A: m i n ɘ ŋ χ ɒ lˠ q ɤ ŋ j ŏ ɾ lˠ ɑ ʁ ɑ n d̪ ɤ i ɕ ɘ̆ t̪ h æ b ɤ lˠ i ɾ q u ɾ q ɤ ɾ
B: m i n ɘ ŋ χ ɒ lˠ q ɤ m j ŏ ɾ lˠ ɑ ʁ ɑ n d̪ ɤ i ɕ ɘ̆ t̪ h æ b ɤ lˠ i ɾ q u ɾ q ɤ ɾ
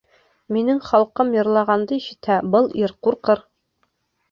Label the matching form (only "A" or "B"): B